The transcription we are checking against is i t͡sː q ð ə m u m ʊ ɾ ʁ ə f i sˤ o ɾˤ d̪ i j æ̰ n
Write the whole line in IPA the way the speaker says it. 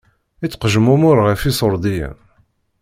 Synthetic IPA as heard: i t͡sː q ʒ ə m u m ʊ ɾ ʁ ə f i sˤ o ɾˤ d̪ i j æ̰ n